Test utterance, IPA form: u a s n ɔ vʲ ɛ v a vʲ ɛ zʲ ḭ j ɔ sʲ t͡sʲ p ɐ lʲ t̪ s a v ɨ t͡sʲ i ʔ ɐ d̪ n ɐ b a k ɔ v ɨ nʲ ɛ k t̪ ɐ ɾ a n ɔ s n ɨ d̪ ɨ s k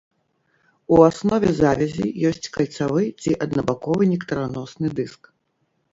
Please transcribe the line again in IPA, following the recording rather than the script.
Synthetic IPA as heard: u a s n ɔ vʲ ɛ z a vʲ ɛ zʲ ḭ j ɔ sʲ t͡sʲ k ɐ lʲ t̪ s a v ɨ t͡sʲ i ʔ ɐ d̪ n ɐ b a k ɔ v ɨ nʲ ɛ k t̪ ɐ ɾ a n ɔ s n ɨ d̪ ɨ s k